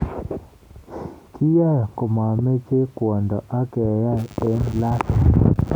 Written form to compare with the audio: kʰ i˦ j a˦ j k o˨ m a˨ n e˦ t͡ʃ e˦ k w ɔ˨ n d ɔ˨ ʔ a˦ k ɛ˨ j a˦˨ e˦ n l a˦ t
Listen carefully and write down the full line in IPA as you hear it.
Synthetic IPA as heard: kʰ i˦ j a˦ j k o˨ m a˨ m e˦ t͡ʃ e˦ k w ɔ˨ n d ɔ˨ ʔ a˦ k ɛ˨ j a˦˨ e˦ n l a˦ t

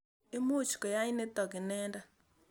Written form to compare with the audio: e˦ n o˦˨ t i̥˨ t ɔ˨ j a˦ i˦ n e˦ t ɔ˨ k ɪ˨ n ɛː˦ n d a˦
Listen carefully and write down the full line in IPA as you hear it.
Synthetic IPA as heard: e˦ m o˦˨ t͡ʃ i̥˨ k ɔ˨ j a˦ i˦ n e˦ t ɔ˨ k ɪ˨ n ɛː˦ n d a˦

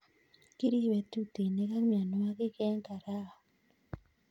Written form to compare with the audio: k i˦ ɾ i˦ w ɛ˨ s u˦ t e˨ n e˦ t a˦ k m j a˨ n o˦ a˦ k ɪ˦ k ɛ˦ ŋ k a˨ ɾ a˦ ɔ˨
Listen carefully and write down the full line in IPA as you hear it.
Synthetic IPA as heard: k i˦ ɾ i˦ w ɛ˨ t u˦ t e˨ n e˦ k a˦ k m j a˨ n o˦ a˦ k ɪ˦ k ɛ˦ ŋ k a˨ ɾ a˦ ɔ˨

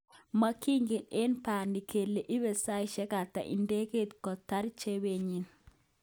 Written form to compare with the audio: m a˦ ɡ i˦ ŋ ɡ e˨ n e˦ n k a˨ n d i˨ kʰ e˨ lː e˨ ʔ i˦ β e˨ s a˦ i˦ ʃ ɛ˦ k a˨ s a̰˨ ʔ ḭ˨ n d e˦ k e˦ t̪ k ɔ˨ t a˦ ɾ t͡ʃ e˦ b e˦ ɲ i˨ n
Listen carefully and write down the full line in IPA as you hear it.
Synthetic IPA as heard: m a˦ k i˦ ŋ ɡ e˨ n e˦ n p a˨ n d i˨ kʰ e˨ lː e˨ ʔ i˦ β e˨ s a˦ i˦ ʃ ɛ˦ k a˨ t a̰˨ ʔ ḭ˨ n d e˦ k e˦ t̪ k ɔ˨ t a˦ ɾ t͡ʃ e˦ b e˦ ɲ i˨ n

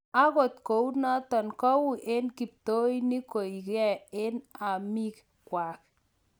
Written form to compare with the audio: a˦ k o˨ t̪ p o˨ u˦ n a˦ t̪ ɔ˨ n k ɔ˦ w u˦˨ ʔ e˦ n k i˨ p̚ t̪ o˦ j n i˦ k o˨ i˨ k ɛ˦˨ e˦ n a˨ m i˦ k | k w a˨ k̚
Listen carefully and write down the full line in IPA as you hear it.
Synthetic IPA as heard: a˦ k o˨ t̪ k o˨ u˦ n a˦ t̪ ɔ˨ n k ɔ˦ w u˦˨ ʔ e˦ n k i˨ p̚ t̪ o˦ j n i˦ k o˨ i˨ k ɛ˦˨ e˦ n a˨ m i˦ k | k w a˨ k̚

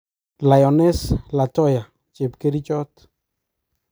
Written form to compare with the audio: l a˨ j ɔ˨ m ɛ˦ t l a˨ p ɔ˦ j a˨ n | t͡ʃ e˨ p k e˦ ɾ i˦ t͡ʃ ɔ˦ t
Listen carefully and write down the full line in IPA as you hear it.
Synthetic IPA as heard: l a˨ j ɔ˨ n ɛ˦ s l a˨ t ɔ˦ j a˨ | t͡ʃ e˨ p k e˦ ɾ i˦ t͡ʃ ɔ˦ t

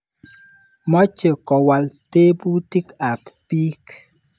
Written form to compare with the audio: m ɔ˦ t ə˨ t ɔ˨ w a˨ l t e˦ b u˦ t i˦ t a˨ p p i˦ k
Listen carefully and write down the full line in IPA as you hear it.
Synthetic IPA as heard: m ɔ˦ t͡ʃ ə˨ k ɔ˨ w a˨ l t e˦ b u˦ t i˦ k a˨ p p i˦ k

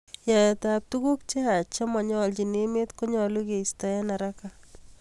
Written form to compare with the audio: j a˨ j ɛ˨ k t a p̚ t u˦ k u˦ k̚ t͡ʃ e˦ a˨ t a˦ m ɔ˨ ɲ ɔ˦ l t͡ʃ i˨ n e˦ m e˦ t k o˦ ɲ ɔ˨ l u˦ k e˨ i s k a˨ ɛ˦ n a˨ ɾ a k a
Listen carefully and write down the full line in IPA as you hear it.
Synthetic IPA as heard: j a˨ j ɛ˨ t a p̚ t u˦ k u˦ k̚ t͡ʃ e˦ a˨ t͡ʃ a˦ m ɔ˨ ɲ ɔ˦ l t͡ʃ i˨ n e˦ m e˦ t k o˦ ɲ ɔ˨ l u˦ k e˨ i s t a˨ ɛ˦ n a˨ ɾ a k a

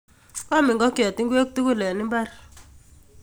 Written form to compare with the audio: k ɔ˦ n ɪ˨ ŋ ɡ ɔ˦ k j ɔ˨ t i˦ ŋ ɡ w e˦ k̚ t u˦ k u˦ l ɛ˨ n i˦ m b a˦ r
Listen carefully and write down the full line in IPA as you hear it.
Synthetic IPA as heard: k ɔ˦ m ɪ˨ ŋ ɡ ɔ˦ k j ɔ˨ t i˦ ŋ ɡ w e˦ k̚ t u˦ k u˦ l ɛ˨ n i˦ m b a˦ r

